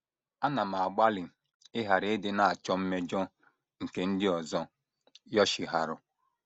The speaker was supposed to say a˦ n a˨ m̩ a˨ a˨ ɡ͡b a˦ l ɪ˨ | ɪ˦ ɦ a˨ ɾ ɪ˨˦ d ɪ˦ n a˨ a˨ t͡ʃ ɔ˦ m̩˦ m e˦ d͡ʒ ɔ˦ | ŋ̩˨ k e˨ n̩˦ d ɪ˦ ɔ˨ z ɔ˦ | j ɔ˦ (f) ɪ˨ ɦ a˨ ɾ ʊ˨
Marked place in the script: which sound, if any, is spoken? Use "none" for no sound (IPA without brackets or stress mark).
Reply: ʃ